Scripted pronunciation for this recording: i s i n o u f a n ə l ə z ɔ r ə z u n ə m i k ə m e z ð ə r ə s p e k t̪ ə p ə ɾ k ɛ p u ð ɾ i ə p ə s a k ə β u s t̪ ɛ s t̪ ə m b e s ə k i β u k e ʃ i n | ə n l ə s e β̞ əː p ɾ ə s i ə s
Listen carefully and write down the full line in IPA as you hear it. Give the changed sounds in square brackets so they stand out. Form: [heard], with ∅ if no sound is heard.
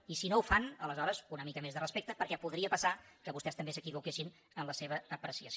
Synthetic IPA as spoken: i s i n o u f a n ə l ə z ɔ [ɾ] ə z u n ə m i k ə m e z ð ə r ə s p e k t̪ ə p ə ɾ k ɛ p u ð ɾ i ə p ə s a k ə β u s t̪ ɛ s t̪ ə m b e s ə k i β u k e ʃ i n | ə n l ə s e β̞ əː p ɾ ə s i ə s